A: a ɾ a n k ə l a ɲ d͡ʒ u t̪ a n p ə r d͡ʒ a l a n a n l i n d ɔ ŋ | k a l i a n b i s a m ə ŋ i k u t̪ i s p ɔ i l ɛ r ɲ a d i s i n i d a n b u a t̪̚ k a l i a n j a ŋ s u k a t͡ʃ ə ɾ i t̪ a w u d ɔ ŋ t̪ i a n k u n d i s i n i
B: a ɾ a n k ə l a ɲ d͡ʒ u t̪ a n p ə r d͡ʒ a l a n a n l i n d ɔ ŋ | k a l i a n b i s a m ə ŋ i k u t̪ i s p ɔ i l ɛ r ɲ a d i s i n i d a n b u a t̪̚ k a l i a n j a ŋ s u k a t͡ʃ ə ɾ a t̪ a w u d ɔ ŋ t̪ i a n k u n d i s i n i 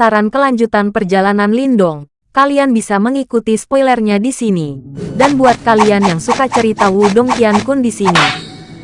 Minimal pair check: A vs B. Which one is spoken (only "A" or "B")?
A